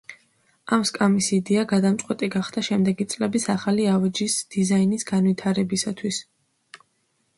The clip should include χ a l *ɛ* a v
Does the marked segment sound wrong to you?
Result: yes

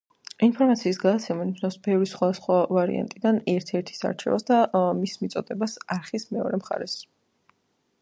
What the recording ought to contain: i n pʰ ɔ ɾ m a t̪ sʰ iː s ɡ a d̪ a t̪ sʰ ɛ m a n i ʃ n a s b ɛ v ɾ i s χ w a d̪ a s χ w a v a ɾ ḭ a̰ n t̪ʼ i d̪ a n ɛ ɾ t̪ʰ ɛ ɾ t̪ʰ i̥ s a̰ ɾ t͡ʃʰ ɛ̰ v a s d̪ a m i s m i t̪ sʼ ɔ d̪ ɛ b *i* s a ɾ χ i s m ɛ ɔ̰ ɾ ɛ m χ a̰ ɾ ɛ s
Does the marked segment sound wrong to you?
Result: yes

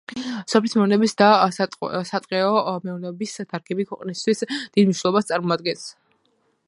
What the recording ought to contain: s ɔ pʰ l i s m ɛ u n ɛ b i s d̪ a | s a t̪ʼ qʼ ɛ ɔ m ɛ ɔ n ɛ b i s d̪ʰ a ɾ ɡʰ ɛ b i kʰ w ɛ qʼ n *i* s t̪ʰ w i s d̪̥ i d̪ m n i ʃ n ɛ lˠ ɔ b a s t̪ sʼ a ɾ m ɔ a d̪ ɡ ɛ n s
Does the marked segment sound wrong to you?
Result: no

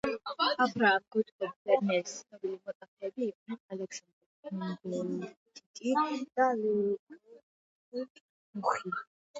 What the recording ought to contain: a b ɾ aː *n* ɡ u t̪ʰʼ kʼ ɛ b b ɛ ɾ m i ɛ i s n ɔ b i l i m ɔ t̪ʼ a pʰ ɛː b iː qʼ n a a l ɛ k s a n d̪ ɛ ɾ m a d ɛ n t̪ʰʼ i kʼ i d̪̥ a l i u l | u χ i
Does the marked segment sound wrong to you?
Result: yes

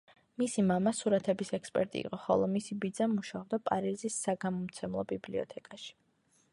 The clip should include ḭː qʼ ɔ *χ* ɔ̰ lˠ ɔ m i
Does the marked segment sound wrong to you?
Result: no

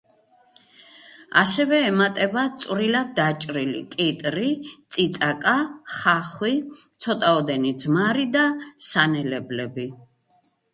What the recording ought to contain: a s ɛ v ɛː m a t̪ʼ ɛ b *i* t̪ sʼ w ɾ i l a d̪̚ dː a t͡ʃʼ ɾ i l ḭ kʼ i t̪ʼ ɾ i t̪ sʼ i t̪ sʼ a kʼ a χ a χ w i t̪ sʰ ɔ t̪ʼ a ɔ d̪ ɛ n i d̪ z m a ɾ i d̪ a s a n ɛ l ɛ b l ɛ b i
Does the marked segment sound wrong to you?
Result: yes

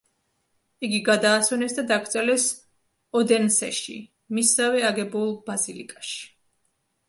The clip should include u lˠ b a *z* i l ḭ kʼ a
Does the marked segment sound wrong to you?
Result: no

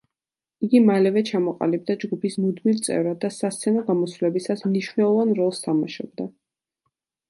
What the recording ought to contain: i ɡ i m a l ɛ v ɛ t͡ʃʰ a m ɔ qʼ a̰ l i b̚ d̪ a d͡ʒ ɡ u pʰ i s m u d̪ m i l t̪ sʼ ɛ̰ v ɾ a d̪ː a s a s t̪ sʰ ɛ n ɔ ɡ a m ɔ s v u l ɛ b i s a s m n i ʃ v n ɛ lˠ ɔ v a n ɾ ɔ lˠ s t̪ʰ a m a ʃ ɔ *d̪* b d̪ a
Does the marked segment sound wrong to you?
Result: yes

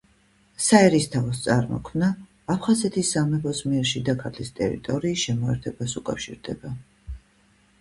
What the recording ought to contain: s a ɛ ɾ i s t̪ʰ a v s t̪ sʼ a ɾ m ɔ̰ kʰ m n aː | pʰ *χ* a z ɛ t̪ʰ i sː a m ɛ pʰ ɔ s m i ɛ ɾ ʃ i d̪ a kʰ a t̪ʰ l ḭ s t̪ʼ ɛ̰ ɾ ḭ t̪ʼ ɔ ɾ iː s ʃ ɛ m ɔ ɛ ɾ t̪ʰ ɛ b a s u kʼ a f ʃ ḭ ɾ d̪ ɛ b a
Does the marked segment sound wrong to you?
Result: no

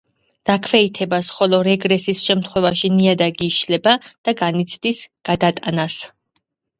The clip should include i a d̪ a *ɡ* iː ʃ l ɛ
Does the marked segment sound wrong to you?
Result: no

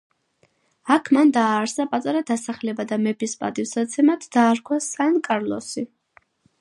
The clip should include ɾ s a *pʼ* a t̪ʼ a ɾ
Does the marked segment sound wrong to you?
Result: no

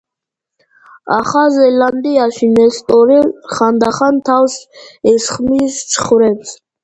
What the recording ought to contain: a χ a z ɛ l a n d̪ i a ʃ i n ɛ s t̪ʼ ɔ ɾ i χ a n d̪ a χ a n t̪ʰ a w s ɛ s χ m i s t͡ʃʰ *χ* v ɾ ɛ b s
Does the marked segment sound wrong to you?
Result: no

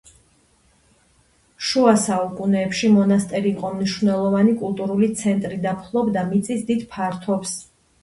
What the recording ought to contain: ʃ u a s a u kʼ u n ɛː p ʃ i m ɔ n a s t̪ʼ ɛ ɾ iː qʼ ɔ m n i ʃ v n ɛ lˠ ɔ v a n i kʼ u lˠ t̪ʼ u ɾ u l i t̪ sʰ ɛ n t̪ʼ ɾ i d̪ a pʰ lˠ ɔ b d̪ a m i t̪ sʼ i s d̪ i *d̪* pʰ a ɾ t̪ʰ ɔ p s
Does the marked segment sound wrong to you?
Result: no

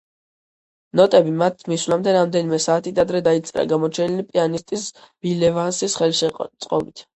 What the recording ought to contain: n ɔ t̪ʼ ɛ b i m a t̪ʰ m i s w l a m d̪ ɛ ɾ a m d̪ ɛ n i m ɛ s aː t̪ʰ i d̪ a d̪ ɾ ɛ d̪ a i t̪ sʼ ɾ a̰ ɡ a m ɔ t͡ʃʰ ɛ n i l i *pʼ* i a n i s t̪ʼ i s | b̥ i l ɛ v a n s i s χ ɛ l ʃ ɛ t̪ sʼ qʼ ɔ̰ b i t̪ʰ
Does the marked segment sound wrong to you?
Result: no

